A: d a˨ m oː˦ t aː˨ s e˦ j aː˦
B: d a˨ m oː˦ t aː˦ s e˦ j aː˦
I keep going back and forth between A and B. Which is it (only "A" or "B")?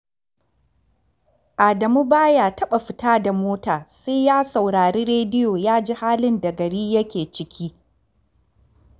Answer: A